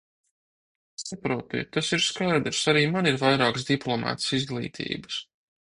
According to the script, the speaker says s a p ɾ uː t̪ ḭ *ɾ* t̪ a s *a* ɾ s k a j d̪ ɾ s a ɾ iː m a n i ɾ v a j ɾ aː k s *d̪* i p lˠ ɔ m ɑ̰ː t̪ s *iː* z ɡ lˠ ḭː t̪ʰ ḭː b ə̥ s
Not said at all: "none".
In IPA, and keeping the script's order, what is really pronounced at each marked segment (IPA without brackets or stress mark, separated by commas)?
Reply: none, i, d̪, i